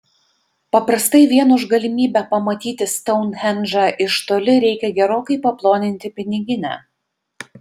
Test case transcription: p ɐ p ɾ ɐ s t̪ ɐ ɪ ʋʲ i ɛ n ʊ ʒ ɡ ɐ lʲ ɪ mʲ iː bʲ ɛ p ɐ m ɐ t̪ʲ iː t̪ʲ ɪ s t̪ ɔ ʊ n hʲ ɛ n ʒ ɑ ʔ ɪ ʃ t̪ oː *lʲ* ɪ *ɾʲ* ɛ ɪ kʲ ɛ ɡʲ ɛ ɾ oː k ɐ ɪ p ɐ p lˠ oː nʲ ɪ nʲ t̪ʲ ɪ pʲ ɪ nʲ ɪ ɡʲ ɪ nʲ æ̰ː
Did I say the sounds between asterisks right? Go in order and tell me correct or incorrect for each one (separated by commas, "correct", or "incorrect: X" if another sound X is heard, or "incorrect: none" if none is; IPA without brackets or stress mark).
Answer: correct, correct